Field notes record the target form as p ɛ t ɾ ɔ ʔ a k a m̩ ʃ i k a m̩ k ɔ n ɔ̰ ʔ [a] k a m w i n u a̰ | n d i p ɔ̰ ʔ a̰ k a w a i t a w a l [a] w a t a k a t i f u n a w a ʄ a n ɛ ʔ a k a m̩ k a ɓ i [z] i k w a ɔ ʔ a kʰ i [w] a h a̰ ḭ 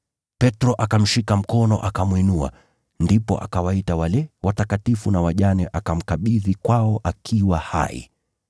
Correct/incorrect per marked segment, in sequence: correct, incorrect, incorrect, correct

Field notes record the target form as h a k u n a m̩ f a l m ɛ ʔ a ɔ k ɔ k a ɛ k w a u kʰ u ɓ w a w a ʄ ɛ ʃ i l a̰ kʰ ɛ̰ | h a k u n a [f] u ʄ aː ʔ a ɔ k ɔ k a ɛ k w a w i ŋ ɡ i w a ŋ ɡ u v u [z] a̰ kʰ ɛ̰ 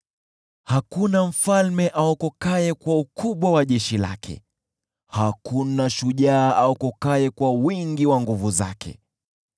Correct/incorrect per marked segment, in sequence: incorrect, correct

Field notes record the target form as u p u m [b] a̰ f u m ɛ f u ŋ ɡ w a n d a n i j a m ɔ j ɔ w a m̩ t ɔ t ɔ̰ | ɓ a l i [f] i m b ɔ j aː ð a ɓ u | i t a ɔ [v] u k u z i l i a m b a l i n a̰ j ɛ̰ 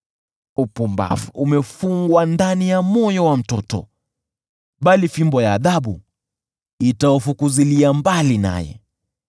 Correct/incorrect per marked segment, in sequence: correct, correct, incorrect

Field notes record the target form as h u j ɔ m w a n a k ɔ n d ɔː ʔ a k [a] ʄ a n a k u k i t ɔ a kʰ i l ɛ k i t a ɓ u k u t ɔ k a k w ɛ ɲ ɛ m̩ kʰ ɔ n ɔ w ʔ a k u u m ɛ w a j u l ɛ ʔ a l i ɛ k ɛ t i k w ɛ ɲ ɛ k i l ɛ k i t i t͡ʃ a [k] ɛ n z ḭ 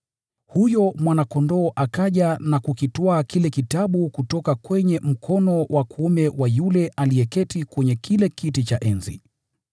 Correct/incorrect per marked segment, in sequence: correct, incorrect

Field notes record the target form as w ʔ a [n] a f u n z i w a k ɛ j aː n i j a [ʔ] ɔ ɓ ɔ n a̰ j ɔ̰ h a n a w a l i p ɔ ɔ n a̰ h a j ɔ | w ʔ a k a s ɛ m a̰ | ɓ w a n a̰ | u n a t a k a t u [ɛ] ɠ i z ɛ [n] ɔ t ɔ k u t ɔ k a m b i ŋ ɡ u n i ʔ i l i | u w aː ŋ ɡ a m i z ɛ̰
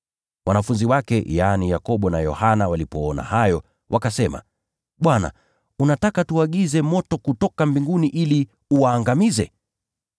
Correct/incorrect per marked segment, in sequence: correct, incorrect, incorrect, incorrect

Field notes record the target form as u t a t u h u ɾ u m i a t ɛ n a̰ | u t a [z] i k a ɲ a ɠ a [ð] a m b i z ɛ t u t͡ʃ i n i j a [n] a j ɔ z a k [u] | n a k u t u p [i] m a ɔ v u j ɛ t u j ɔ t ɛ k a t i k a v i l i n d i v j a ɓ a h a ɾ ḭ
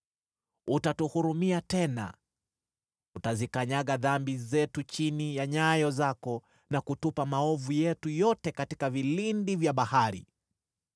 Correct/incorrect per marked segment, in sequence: correct, correct, incorrect, incorrect, incorrect

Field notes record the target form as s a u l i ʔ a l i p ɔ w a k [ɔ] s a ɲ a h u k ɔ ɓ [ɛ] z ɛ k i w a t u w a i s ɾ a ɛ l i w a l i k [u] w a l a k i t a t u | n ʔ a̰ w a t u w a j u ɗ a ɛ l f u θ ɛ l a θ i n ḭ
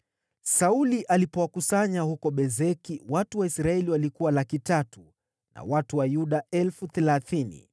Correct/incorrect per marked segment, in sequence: incorrect, correct, correct

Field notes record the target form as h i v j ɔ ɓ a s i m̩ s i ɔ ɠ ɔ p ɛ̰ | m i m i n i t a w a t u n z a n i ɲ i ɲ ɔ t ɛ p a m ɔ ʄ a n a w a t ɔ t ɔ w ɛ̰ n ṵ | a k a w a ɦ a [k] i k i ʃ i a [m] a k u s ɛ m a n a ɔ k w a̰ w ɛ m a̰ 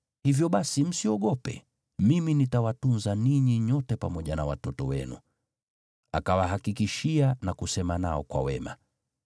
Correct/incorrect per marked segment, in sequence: correct, incorrect

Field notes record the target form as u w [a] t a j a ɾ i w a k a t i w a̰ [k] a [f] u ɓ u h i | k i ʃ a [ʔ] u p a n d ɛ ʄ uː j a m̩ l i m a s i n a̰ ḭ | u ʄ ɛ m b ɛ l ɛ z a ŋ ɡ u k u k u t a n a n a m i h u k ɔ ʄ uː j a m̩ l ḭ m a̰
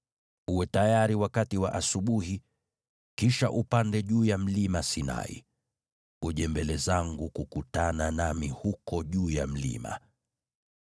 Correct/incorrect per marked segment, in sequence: incorrect, incorrect, incorrect, correct

